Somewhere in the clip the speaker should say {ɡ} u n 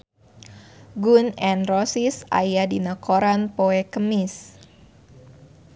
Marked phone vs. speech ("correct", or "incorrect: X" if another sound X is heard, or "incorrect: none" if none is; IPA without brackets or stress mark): correct